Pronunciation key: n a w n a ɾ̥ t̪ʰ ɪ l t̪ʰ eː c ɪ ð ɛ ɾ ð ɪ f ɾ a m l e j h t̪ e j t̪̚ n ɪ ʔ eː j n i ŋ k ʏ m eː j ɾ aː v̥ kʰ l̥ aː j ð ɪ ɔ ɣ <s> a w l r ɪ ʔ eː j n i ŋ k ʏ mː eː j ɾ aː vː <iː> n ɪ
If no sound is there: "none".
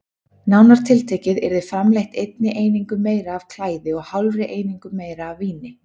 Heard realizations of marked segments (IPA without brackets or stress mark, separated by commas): h, iː